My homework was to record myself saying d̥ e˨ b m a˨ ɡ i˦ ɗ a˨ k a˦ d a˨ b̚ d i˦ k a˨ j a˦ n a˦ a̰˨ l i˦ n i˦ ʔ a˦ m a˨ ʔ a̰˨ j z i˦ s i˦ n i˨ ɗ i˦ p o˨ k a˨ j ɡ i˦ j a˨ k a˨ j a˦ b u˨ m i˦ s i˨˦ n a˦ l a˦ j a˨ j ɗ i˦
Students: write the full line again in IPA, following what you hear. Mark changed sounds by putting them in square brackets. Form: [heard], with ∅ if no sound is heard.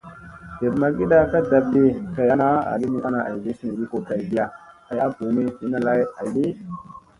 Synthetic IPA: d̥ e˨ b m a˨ ɡ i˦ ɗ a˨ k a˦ d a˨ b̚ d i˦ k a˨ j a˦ n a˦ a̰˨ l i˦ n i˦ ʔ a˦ [n] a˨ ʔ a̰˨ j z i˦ s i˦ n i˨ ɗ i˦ [k] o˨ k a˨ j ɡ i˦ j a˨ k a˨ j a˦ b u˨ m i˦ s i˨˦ n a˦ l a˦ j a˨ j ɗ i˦